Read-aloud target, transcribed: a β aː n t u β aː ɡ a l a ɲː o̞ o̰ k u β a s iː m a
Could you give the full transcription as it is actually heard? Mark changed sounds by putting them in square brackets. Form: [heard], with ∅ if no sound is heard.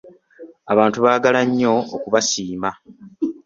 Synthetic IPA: a β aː n t u β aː ɡ a l a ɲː o̞ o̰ k u β a s iː m a